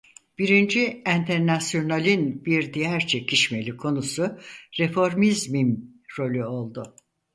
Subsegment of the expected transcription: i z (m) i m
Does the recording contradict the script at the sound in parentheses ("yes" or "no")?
no